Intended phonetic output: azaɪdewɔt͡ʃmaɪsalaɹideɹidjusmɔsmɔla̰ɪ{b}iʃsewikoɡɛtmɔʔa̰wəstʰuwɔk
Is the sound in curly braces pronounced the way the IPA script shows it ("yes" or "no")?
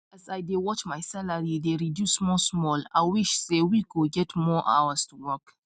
no